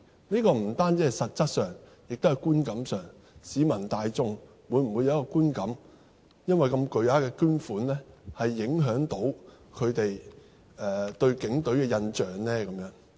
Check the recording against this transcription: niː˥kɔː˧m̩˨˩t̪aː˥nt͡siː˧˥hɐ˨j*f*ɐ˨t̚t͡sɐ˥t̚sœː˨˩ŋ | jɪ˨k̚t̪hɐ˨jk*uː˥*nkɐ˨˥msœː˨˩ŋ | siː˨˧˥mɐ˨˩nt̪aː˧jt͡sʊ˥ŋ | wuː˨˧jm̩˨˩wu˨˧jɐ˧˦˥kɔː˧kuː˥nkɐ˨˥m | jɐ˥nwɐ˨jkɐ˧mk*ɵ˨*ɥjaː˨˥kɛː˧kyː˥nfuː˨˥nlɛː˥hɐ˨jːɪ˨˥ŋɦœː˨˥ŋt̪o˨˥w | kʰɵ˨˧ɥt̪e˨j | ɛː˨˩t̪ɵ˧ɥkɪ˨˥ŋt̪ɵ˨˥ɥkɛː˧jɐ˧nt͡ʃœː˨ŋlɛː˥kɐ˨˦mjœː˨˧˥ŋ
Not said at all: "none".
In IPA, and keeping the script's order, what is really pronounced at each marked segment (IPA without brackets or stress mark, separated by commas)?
s, uː˥, ɵ˨